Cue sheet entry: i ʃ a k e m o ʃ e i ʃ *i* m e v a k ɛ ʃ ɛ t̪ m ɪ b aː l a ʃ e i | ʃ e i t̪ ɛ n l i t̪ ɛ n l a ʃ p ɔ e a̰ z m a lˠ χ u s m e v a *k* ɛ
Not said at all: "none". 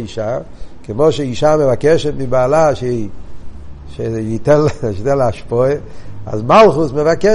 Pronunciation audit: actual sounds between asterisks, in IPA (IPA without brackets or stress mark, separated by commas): a, k